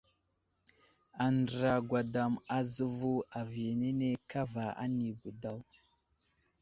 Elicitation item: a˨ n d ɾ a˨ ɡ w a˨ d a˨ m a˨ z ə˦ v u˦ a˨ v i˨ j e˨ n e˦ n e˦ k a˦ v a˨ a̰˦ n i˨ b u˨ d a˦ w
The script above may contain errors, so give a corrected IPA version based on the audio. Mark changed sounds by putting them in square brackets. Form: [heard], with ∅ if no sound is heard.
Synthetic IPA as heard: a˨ n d ɾ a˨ ɡ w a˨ d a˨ m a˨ z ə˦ v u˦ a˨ v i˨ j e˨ n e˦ n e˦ k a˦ v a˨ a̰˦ n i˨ b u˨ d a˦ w

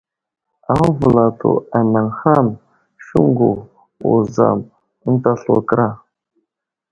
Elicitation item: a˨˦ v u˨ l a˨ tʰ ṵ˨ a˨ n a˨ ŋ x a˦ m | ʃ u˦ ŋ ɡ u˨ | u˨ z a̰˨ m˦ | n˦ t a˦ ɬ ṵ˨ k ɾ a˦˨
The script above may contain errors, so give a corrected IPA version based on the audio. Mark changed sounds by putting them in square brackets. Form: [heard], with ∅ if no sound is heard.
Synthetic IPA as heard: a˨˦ v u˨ l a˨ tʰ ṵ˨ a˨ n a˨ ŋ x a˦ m | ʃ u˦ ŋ ɡ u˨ | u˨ z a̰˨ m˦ | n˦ t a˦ ɬ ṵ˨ k ɾ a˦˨

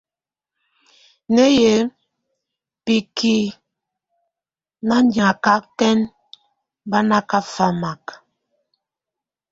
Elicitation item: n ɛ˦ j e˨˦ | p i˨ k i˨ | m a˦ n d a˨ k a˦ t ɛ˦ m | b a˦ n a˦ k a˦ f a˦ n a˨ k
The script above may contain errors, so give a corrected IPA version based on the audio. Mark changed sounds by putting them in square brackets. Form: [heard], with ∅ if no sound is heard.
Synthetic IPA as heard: n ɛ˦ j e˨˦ | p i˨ k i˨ | [n] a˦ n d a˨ k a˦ t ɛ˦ [n] | b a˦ n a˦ k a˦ f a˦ [m] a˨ k

